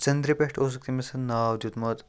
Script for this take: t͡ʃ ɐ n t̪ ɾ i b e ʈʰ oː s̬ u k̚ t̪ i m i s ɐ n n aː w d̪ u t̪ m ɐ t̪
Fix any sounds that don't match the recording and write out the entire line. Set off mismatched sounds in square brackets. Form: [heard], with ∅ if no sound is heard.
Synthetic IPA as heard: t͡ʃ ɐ n [d̪] ɾ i [p] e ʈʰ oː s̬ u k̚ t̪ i m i s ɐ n n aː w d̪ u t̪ m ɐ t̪